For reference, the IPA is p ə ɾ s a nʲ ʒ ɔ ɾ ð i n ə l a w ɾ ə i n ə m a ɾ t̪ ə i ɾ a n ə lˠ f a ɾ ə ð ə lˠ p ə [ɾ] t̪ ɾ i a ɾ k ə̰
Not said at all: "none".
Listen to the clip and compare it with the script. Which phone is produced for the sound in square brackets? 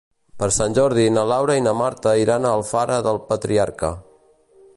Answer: none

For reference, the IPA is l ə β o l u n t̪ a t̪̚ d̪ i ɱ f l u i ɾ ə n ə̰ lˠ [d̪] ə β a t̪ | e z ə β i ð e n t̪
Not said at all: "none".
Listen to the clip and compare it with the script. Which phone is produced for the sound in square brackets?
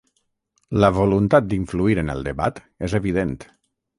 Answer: d̪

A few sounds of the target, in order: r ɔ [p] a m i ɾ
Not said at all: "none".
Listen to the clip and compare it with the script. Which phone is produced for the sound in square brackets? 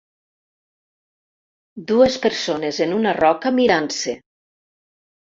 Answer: k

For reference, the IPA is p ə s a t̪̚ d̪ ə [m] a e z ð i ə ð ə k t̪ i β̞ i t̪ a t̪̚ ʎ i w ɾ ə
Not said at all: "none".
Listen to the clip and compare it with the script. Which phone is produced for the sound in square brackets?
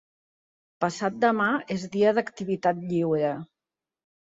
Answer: m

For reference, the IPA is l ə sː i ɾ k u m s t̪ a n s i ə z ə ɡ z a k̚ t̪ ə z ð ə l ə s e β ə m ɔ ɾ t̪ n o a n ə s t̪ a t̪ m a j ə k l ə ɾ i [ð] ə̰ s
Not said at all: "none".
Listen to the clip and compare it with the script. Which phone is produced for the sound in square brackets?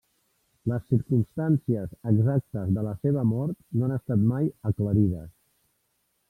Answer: ð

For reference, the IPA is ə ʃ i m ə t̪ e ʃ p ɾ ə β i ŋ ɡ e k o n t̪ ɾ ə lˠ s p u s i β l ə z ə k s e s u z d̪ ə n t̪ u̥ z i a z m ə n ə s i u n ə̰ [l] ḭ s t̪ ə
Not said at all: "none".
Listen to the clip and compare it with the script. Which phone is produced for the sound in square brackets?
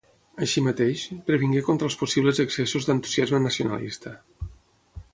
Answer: l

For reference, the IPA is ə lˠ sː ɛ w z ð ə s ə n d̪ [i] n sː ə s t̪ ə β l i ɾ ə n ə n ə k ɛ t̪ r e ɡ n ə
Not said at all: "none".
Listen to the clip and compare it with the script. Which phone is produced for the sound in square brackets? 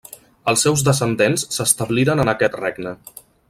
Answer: e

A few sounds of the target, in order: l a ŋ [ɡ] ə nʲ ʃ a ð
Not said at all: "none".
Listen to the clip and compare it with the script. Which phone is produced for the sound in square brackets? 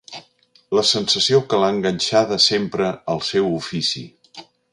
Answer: ɡ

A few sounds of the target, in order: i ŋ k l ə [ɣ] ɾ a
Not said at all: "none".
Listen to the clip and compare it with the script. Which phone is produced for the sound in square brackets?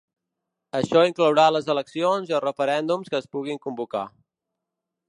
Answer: w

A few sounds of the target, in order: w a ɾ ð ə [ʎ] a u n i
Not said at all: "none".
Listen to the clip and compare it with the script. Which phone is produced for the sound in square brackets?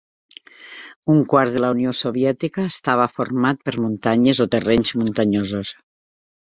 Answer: l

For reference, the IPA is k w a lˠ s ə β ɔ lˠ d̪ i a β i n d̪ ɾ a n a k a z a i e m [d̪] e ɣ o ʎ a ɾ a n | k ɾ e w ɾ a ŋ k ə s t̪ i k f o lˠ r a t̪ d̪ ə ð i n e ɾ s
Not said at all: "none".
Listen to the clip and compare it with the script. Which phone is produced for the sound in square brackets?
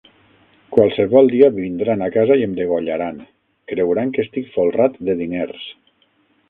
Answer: d̪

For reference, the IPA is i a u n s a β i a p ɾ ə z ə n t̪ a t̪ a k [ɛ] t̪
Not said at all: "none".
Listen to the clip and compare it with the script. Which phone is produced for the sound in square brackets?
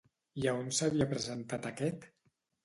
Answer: ɛ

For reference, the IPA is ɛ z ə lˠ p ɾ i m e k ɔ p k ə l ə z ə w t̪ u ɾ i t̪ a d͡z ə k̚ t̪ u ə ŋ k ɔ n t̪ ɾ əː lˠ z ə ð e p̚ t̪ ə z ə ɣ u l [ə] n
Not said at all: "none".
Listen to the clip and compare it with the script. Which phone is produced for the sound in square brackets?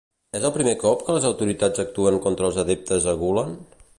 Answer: ə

